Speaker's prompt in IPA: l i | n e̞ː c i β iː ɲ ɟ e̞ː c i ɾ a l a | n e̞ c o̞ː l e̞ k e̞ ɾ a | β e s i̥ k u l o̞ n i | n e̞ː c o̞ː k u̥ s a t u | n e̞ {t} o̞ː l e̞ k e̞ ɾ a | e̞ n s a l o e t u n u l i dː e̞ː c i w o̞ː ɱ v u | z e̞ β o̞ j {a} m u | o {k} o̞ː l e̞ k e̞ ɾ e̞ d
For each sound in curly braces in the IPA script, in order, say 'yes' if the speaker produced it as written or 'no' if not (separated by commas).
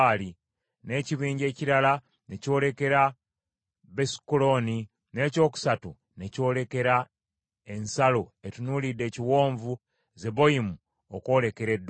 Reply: no, no, yes